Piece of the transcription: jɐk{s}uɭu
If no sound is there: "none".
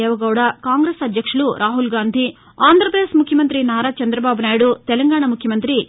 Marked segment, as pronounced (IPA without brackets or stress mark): ʂ